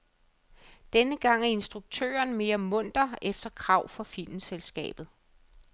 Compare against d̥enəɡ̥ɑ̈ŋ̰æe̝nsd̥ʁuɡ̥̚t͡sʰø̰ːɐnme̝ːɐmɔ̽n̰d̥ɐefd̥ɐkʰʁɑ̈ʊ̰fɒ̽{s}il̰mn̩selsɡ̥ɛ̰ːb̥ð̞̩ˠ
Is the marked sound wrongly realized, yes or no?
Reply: yes